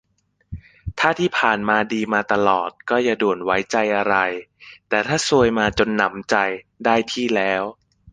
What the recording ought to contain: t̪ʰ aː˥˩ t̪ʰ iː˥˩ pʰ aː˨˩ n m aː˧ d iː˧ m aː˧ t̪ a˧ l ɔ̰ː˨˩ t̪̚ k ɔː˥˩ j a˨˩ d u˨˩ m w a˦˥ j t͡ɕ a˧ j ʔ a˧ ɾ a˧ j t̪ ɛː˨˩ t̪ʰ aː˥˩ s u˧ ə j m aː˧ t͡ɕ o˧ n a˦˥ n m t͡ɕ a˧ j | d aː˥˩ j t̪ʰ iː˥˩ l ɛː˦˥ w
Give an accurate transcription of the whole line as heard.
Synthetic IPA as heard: t̪ʰ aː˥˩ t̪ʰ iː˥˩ pʰ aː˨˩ n m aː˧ d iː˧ m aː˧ t̪ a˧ l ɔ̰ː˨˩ t̪̚ k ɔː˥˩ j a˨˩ d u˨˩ n w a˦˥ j t͡ɕ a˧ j ʔ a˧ ɾ a˧ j t̪ ɛː˨˩ t̪ʰ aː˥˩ s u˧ ə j m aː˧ t͡ɕ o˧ nː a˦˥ m t͡ɕ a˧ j | d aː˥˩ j t̪ʰ iː˥˩ l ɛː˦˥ w